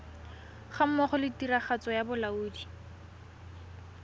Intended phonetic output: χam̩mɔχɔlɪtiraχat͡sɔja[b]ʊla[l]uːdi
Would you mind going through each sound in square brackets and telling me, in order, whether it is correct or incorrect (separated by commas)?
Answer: correct, incorrect